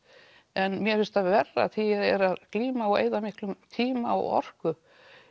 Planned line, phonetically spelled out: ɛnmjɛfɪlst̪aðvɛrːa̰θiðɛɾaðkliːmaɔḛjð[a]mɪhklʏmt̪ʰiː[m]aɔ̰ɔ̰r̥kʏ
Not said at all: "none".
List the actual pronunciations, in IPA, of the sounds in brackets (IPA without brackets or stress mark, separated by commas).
a, m